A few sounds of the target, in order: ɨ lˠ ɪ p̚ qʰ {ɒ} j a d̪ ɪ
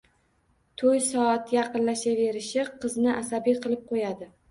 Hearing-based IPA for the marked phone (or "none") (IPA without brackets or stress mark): o